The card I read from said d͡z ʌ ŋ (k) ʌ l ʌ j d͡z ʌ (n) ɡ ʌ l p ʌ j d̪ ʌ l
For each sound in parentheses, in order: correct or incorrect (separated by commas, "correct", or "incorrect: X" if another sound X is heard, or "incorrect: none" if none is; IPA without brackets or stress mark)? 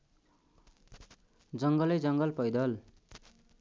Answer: incorrect: ɡ, incorrect: ŋ